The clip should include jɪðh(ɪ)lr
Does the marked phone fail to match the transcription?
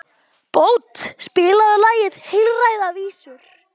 no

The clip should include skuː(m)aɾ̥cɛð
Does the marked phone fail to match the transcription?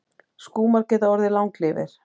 no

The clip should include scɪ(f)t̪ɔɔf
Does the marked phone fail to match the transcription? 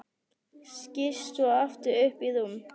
yes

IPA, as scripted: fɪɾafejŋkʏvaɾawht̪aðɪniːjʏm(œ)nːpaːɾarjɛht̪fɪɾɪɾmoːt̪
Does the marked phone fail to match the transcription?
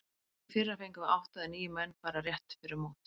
yes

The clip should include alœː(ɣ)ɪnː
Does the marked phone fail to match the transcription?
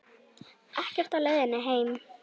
yes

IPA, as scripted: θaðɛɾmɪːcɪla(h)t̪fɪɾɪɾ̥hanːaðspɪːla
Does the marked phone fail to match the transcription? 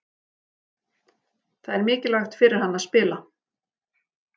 yes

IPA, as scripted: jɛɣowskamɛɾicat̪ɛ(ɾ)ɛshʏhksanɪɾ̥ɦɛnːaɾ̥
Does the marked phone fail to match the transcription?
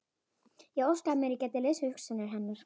yes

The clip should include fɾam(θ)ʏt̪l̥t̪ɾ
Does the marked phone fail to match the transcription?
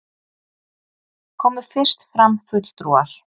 yes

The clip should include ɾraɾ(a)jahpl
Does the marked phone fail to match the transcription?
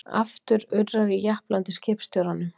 yes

